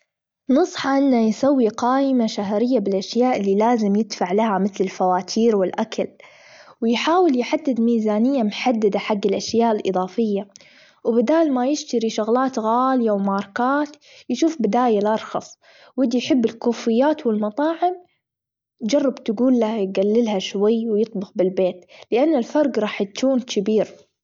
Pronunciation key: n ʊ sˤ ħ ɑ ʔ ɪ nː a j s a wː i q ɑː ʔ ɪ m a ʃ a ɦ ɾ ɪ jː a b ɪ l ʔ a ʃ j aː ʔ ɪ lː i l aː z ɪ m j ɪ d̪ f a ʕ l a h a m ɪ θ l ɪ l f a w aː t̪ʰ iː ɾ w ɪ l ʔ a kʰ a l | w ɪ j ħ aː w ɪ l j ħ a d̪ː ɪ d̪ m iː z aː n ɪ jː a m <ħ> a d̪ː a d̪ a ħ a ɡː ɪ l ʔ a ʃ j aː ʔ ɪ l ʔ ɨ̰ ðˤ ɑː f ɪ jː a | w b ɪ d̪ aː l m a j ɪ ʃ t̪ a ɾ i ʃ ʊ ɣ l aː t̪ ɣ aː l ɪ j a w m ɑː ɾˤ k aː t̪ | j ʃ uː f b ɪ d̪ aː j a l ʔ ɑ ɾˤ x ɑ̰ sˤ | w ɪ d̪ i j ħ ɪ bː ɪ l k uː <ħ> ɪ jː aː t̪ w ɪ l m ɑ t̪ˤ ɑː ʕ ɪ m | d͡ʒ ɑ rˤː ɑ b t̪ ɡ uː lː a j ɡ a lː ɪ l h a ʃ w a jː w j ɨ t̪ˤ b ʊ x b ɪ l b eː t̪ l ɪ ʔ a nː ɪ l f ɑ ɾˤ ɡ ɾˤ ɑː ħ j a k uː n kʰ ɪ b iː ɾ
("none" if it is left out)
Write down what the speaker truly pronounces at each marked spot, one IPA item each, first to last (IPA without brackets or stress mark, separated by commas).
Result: ħ, f